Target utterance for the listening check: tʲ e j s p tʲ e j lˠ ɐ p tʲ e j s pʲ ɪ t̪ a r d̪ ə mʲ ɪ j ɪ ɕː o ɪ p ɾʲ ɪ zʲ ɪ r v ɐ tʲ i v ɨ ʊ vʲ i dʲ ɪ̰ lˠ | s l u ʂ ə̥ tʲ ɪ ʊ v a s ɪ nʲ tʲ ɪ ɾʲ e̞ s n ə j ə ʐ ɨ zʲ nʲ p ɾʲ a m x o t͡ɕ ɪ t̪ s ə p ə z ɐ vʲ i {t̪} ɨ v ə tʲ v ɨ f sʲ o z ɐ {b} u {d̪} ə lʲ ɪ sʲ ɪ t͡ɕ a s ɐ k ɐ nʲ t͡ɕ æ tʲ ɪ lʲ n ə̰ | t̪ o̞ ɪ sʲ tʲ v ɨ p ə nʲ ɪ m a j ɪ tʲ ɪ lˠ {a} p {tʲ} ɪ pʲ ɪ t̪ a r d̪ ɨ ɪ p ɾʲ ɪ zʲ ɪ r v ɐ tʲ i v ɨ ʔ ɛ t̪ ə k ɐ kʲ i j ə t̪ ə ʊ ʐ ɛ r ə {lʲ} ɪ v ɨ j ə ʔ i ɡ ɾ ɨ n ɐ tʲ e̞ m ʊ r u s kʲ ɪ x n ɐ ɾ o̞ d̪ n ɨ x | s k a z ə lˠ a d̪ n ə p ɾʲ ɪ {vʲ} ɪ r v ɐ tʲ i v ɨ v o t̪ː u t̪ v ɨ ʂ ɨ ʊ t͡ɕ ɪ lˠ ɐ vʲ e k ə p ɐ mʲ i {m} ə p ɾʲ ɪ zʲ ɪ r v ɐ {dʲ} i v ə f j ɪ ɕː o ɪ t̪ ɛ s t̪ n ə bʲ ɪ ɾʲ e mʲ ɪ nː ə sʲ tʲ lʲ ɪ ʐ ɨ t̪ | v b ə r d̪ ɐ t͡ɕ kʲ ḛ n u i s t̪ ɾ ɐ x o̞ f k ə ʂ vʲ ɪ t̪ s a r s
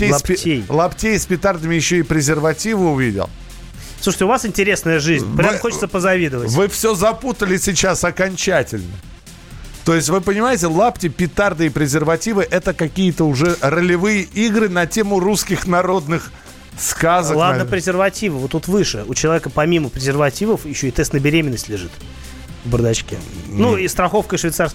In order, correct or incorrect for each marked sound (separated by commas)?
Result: incorrect, incorrect, incorrect, correct, correct, correct, incorrect, correct, incorrect